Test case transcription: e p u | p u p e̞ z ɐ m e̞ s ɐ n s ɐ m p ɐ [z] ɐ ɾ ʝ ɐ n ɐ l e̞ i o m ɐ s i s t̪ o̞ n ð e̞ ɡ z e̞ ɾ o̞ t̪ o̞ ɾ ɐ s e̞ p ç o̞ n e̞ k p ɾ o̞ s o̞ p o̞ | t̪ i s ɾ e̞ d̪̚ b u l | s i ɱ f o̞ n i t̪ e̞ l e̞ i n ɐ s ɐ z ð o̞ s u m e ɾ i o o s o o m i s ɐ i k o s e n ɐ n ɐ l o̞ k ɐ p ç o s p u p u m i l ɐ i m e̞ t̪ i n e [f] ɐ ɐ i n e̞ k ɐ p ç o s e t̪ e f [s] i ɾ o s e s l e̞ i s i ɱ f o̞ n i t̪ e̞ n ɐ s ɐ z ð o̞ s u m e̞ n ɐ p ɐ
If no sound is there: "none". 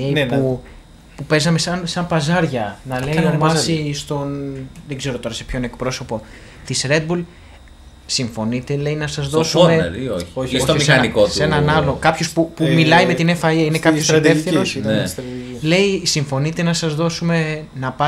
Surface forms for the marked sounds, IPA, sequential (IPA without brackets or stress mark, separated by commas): z, f, θ